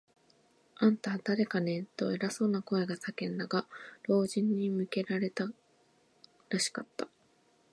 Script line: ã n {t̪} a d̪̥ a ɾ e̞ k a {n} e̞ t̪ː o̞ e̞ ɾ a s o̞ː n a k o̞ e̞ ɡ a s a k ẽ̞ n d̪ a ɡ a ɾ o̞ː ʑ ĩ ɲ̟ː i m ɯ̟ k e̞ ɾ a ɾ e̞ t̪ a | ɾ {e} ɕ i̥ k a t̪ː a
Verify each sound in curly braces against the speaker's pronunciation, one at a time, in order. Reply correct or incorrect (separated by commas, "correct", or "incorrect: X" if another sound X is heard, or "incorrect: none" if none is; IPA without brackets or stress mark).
correct, correct, incorrect: a